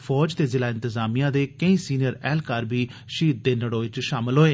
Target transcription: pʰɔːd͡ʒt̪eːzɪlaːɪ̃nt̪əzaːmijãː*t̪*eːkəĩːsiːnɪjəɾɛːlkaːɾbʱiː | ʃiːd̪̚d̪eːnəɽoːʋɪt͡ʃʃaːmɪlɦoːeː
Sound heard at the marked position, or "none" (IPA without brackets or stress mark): d̪